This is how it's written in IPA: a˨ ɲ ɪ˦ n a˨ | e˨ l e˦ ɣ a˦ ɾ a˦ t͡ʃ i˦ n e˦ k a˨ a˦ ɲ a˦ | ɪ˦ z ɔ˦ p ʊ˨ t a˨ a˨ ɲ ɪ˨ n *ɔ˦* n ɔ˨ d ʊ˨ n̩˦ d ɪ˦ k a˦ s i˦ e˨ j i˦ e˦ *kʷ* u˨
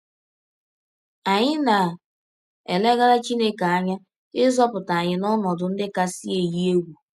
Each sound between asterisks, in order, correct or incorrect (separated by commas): correct, incorrect